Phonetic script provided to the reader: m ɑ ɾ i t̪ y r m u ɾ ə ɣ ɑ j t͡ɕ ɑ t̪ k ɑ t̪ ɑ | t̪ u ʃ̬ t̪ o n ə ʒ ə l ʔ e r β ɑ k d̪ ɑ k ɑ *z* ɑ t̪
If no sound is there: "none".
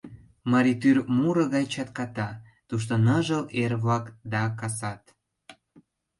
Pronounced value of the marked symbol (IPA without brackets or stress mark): s